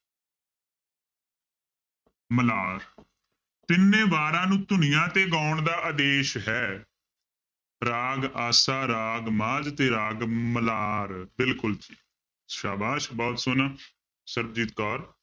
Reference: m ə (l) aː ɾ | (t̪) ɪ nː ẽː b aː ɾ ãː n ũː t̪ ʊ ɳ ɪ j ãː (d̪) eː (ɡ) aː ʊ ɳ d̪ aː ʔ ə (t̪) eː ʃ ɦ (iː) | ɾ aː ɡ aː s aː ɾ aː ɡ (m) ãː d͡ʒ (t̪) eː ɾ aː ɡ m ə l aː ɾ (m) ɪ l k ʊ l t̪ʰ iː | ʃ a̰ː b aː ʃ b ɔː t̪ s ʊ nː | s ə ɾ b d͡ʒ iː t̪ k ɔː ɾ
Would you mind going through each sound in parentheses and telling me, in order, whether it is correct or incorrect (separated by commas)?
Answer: correct, correct, incorrect, correct, incorrect, incorrect, correct, correct, incorrect